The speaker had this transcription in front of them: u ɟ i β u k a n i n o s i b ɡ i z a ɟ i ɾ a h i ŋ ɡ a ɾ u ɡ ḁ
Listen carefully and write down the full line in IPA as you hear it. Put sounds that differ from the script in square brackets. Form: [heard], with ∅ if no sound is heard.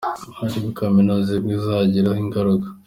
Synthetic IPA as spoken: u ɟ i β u k a [m] i n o [z] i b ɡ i z a ɟ i ɾ a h i ŋ ɡ a ɾ u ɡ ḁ